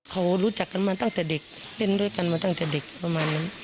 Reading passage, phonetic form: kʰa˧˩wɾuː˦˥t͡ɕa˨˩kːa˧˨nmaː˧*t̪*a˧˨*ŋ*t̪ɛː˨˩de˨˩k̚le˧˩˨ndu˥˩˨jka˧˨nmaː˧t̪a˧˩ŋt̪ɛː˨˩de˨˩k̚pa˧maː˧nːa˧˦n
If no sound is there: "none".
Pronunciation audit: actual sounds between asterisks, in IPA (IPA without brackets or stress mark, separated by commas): t̪, ŋ